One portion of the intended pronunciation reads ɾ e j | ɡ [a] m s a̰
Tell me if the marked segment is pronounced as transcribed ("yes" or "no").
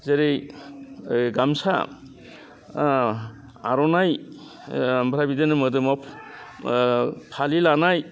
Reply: yes